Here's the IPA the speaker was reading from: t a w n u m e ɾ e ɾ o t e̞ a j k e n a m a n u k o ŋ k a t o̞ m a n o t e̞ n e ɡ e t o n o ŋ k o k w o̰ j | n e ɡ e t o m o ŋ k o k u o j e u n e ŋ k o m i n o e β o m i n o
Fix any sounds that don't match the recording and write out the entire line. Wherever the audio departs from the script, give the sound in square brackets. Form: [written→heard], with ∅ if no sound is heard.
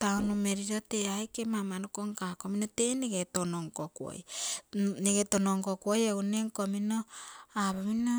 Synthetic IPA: t a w n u m e ɾ [e→i] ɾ o t e̞ a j k e [n→m] a m a n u k o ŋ k a [t→k] o̞ m [a→i] n o t e̞ n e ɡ e t o n o ŋ k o k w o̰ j | n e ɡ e t o [m→n] o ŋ k o k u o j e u n e ŋ k o m i n o [e→a] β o m i n o